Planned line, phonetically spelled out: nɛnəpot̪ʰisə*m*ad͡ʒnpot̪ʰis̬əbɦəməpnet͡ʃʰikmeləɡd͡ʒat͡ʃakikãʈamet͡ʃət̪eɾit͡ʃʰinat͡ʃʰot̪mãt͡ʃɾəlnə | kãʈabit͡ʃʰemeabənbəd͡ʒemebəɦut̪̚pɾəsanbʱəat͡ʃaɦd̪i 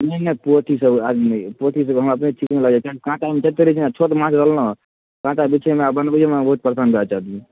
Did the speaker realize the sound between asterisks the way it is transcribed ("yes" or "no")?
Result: no